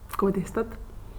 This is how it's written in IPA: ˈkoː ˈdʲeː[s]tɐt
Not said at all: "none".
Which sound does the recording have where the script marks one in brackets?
s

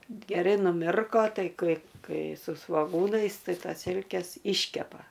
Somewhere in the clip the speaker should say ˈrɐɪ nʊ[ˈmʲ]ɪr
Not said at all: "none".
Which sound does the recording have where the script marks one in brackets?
mʲ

